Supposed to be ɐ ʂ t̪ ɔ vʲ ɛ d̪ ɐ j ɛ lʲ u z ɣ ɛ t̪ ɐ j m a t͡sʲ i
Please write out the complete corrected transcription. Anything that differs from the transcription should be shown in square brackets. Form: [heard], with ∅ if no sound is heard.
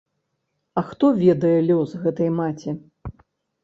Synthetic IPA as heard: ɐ [x] t̪ ɔ vʲ ɛ d̪ ɐ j ɛ lʲ [ɔ] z ɣ ɛ t̪ ɐ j m a t͡sʲ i